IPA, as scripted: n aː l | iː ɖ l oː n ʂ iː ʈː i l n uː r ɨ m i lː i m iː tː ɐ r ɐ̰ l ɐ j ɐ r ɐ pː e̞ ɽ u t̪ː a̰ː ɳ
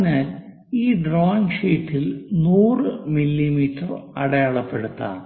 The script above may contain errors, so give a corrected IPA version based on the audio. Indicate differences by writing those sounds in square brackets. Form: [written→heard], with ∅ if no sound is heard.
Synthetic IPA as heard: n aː l | iː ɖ [l→r] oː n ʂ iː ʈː i l n uː r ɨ m i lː i m iː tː ɐ r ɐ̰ [l→ɽ] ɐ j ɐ [r→ɭ] ɐ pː e̞ ɽ u t̪ː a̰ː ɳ